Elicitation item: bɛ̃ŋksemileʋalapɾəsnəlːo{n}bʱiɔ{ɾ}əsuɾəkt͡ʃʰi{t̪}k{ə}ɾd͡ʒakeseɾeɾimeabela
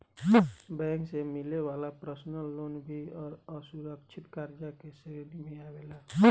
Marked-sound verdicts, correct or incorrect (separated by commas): correct, correct, correct, incorrect